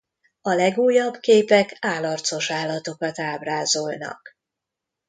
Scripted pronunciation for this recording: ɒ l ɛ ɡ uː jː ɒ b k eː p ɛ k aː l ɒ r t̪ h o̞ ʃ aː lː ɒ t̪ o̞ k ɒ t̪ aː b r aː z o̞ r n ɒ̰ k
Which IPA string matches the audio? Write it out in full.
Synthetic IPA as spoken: ɒ l ɛ ɡ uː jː ɒ b k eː p ɛ k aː l ɒ r t̪ s o̞ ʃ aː lː ɒ t̪ o̞ k ɒ t̪ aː b r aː z o̞ l n ɒ̰ k

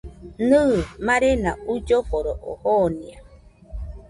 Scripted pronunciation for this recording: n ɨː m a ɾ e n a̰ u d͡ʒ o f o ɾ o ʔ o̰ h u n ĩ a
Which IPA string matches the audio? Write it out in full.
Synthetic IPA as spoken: n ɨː m a ɾ e n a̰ u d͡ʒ o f o ɾ o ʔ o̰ h o n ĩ a

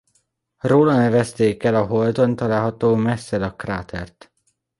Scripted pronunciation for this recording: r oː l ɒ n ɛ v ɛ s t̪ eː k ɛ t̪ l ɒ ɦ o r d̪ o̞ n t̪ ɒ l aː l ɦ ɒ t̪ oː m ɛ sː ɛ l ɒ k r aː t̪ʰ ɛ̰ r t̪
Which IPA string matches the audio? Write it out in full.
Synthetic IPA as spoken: r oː l ɒ n ɛ v ɛ s t̪ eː k ɛ l ɒ ɦ o l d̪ o̞ n t̪ ɒ l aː l ɦ ɒ t̪ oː m ɛ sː ɛ l ɒ k r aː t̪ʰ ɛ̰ r t̪

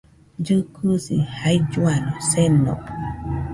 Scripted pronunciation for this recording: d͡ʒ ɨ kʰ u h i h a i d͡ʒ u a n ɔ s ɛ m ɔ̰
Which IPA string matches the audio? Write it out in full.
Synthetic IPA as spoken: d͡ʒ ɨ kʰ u s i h a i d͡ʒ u a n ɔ s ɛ n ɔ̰

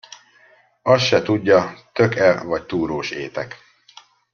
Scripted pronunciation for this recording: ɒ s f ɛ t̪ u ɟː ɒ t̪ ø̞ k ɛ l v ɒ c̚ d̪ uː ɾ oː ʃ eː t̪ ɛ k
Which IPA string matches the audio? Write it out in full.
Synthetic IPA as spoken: ɒ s ʃ ɛ t̪ u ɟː ɒ t̪ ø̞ k ɛ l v ɒ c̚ t̪ uː ɾ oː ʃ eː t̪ ɛ k

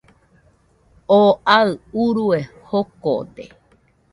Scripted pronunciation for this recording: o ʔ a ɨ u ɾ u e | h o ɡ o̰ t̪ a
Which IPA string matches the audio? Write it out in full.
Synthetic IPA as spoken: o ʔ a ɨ u ɾ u e | h o k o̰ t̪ e

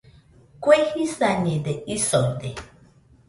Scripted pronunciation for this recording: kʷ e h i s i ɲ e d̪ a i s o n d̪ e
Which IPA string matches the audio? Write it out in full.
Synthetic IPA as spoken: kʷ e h i s a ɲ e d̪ e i s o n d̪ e

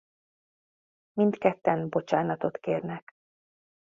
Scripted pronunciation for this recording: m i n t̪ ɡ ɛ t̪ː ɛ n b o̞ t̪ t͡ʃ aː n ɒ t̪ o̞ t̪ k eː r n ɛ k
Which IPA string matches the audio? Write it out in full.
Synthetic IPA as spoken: m i n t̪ k ɛ t̪ː ɛ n b o̞ t͡ʃ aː n ɒ t̪ o̞ t̪ k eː r n ɛ k

